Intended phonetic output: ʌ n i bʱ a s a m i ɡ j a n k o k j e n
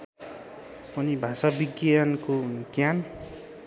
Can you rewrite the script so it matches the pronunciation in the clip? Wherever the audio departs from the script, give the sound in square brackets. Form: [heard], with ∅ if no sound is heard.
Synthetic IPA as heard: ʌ n i bʱ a s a [b] i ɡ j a n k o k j [a] n